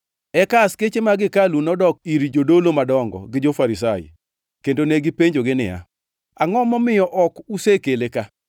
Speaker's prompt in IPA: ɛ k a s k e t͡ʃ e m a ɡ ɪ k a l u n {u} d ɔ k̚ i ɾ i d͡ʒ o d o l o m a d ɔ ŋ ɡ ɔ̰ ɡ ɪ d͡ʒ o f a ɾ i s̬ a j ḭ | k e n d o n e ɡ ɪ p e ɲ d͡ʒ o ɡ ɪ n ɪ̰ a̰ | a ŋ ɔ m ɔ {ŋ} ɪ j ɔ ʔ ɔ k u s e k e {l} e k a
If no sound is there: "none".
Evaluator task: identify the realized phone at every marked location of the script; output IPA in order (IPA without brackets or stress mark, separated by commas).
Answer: ɔ, m, l